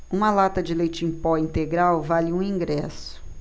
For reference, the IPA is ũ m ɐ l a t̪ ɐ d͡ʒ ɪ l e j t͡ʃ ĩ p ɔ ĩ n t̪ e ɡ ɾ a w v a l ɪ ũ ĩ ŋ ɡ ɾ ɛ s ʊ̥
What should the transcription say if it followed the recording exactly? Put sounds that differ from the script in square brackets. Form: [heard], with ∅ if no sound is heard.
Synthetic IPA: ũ m ɐ l a t̪ ɐ d͡ʒ ɪ l e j t͡ʃ ĩ p ɔ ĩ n t̪ e ɡ ɾ a w v a l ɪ ũ ĩ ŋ ɡ ɾ ɛ s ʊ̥